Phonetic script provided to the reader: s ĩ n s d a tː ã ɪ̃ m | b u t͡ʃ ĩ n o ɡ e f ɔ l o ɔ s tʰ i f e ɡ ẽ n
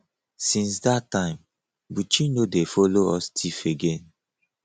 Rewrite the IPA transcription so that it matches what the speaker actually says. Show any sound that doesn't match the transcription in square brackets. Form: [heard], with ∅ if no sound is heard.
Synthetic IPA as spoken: s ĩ n s d a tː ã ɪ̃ m | b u t͡ʃ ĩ n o [d] e f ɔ l o ɔ s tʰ i f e ɡ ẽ n